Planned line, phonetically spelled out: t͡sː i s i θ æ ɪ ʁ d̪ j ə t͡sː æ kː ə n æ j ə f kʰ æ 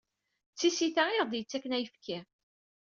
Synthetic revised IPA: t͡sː i s i θ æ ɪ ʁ d̪ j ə t͡sː æ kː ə n æ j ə f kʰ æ